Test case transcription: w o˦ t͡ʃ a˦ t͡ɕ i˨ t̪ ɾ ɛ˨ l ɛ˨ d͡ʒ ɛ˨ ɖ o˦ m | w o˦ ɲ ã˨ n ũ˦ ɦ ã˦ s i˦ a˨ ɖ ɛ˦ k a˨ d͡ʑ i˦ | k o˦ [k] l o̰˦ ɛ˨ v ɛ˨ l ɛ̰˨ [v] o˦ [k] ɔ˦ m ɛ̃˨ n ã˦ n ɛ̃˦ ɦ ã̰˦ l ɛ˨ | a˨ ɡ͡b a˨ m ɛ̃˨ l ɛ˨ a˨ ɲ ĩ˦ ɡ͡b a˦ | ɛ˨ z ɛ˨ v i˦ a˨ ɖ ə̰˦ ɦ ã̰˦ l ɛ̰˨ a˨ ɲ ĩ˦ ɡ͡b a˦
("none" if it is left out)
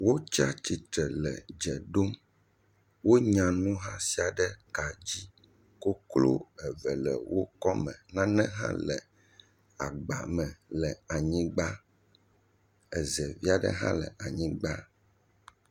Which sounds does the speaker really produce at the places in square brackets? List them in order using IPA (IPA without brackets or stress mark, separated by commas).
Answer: k, w, k